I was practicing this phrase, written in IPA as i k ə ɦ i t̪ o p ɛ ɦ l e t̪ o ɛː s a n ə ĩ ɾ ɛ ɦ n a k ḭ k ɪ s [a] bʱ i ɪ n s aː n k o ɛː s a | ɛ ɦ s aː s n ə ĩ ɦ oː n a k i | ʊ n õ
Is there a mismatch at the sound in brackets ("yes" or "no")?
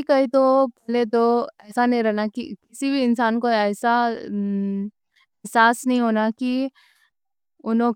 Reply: yes